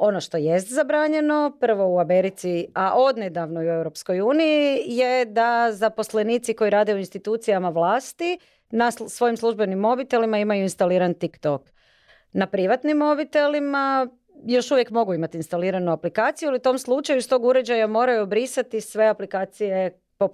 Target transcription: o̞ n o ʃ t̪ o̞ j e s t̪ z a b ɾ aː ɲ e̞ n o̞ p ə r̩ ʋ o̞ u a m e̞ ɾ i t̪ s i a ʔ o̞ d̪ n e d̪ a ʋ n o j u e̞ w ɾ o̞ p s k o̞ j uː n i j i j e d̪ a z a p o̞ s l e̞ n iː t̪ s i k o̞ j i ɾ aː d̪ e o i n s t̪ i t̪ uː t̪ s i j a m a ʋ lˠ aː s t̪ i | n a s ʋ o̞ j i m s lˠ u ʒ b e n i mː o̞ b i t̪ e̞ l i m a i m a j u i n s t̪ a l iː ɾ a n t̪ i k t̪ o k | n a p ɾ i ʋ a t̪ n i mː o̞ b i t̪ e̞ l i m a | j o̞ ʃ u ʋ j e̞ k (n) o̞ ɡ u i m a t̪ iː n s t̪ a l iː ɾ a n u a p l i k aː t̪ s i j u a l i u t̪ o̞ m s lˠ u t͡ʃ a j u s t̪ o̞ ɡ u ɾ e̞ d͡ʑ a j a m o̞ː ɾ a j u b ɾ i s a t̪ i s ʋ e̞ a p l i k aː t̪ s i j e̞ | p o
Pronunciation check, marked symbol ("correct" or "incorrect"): incorrect